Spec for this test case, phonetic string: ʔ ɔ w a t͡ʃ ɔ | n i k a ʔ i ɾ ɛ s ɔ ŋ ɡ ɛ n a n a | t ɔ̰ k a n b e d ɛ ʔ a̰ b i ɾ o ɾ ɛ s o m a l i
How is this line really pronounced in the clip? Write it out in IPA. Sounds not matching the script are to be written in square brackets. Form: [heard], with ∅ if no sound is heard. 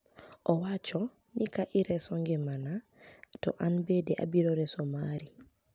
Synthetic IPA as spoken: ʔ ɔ w a t͡ʃ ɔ | n i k a ʔ i ɾ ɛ s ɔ ŋ ɡ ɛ [m] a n a | t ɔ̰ [ʔ] a n b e d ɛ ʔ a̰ b i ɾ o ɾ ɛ s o m a [ɾ] i